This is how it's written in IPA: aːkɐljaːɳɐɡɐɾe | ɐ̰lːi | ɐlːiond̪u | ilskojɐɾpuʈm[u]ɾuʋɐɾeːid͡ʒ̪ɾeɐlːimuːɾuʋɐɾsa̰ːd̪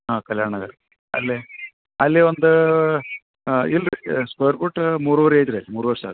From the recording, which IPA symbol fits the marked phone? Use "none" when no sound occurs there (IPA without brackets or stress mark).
uː